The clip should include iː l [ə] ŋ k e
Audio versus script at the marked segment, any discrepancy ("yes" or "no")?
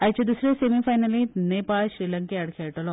yes